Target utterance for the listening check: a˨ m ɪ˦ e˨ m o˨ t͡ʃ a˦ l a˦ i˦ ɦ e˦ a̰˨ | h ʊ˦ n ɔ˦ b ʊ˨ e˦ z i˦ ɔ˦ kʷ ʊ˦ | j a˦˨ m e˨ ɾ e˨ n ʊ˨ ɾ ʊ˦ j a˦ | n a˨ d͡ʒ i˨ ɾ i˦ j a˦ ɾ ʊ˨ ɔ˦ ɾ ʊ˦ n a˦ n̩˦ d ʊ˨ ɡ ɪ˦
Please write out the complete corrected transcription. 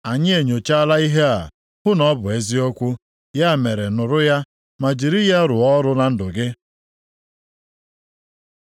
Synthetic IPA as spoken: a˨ ɲ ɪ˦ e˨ ɲ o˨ t͡ʃ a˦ l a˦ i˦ ɦ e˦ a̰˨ | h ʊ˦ n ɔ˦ b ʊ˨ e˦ z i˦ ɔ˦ kʷ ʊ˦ | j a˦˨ m e˨ ɾ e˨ n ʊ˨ ɾ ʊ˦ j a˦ | m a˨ d͡ʒ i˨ ɾ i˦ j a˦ ɾ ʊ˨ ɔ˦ ɾ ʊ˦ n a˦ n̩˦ d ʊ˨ ɡ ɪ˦

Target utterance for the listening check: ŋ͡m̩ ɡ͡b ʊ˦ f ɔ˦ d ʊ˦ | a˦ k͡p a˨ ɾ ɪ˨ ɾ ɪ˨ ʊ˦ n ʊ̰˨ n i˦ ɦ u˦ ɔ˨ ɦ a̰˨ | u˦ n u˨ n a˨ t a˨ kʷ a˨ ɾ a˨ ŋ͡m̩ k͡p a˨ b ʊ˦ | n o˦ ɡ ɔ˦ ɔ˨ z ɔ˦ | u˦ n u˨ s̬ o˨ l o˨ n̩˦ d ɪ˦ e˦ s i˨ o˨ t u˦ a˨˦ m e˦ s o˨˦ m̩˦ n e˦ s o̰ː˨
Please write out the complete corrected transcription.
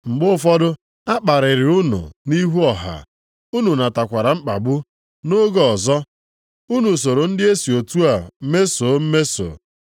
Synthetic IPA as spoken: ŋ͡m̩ ɡ͡b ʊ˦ f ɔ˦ d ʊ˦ | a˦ k͡p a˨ ɾ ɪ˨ ɾ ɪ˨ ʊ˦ n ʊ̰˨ n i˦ ɦ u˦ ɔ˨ ɦ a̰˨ | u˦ n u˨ n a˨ t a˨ kʷ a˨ ɾ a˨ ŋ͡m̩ k͡p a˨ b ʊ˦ | n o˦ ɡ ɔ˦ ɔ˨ z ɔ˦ | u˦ n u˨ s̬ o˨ ɾ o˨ n̩˦ d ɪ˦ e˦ s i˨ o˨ t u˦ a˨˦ m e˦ s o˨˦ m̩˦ m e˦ s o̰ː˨

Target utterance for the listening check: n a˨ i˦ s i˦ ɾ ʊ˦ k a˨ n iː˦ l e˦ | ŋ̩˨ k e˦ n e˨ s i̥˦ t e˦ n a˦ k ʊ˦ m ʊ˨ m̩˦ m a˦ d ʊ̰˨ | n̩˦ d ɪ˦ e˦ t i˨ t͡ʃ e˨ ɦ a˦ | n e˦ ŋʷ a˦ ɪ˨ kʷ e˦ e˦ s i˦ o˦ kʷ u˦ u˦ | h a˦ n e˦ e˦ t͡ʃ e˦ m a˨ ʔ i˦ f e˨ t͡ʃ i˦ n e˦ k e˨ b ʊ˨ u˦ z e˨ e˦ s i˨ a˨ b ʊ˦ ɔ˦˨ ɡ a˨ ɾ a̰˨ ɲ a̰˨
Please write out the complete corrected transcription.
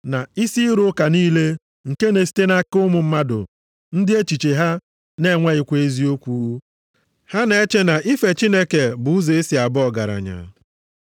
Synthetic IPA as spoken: n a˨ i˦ s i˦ ɾ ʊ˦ k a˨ n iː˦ l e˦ | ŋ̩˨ k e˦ n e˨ s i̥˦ t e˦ n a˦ k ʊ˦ m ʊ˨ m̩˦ m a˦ d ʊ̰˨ | n̩˦ d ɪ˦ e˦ t͡ʃ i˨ t͡ʃ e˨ ɦ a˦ | n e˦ ŋʷ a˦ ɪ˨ kʷ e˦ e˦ z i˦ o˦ kʷ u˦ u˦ | h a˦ n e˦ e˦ t͡ʃ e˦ n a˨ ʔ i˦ f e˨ t͡ʃ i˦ n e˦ k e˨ b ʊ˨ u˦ z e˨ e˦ s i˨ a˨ b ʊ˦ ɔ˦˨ ɡ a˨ ɾ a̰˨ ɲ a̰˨

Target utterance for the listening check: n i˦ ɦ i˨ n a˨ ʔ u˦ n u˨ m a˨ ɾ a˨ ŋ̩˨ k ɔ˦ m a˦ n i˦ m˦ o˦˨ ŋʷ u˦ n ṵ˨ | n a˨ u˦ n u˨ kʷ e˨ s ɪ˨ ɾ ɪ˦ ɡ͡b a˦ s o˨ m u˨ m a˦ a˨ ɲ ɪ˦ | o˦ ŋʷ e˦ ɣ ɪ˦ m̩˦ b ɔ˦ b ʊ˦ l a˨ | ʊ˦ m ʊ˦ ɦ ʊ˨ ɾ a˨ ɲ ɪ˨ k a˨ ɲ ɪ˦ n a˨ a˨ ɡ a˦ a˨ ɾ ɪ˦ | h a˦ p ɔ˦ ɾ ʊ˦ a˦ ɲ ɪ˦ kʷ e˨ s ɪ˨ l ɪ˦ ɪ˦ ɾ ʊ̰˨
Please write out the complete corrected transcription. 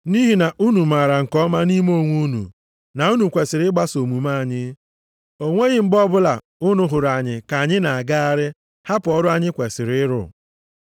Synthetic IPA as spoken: n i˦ ɦ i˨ n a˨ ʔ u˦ n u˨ m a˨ ɾ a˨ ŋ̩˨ k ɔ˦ m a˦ n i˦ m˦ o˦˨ ŋʷ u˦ n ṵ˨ | n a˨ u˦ n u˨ kʷ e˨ s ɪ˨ ɾ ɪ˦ ɡ͡b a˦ s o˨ m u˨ m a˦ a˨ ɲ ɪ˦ | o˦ ŋʷ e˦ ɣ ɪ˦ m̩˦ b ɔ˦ b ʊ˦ l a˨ | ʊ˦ n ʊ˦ ɦ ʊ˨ ɾ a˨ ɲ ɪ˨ k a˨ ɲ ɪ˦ n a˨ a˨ ɡ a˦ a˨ ɾ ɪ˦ | h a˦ p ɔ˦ ɾ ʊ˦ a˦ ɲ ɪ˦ kʷ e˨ s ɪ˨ ɾ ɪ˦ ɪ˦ ɾ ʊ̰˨

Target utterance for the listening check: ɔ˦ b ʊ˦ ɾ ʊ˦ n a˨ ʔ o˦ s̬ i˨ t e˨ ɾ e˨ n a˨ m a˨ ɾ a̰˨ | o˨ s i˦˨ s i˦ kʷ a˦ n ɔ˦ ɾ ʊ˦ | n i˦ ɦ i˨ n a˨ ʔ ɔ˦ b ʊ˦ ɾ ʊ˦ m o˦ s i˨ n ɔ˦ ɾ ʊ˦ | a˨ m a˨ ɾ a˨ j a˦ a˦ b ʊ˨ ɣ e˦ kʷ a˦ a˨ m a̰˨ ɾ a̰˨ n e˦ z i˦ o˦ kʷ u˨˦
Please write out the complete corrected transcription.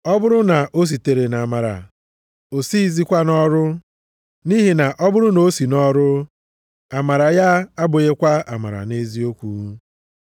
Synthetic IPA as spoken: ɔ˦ b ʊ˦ ɾ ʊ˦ n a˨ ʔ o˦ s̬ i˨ t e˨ ɾ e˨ n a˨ m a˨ ɾ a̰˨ | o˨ s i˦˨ z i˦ kʷ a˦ n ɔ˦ ɾ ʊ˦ | n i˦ ɦ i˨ n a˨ ʔ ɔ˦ b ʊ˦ ɾ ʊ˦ n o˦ s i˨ n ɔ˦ ɾ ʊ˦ | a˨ m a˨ ɾ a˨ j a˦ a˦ b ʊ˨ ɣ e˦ kʷ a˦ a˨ m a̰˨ ɾ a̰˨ n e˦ z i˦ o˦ kʷ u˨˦

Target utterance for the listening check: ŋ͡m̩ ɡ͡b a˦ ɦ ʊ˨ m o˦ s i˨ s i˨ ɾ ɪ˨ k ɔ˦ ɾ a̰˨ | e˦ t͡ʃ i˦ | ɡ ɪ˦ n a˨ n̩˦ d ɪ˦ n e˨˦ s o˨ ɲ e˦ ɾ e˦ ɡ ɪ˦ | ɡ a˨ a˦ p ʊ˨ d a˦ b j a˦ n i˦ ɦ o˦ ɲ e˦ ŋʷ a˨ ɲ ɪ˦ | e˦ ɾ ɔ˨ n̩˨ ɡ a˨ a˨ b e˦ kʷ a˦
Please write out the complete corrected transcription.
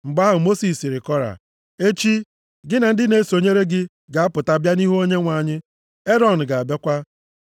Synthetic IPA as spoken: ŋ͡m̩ ɡ͡b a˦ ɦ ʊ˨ m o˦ s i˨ s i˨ ɾ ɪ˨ k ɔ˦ ɾ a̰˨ | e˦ t͡ʃ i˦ | ɡ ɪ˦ n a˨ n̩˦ d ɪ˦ n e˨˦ s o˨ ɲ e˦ ɾ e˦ ɡ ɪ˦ | ɡ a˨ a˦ p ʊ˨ t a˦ b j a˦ n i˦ ɦ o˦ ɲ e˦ ŋʷ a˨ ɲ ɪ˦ | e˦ ɾ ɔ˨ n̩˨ ɡ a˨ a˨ b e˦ kʷ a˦

